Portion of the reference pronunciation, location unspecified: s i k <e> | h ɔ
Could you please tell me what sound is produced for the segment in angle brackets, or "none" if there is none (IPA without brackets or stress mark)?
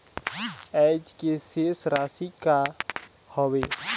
a